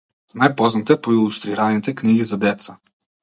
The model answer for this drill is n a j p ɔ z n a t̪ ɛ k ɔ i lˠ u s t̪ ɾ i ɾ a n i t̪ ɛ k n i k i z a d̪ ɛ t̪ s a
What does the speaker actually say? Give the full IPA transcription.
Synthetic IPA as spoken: n a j p ɔ z n a t̪ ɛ p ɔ i lˠ u s t̪ ɾ i ɾ a n i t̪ ɛ k n i ɡ i z a d̪ ɛ t̪ s a